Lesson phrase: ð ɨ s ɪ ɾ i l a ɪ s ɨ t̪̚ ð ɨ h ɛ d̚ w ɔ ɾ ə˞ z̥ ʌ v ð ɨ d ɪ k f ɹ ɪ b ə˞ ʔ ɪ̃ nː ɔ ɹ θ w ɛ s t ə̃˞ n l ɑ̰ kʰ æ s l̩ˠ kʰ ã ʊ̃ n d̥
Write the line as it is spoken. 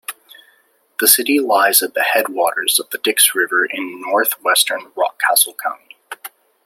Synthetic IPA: ð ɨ s ɪ ɾ i l a ɪ z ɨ t̪̚ ð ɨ h ɛ d̚ w ɔ ɾ ə˞ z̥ ʌ v ð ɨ d ɪ k s ɹ ɪ v ə˞ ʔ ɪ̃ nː ɔ ɹ θ w ɛ s t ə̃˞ n ɹ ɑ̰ kʰ æ s l̩ˠ kʰ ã ʊ̃ n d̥